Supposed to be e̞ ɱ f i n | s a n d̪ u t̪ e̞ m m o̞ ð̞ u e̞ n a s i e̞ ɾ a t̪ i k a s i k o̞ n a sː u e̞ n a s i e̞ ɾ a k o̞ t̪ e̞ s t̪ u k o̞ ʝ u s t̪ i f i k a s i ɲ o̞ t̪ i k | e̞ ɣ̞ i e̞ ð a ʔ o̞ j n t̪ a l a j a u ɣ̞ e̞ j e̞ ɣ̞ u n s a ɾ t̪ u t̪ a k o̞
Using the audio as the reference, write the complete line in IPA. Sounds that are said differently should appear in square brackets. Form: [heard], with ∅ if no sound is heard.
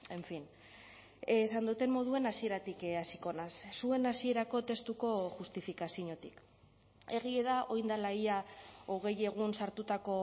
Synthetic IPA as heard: e̞ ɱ f i n | s a n d̪ u t̪ e̞ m m o̞ ð̞ u e̞ n a s i e̞ ɾ a t̪ i k a s i k o̞ n a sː u e̞ n a s i e̞ ɾ a k o̞ t̪ e̞ s t̪ u k o̞ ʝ u s t̪ i f i k a s i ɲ o̞ t̪ i k | e̞ ɣ̞ i e̞ ð a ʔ o̞ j n [d̪] a l a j a [o] ɣ̞ e̞ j e̞ ɣ̞ u n s a ɾ t̪ u t̪ a k o̞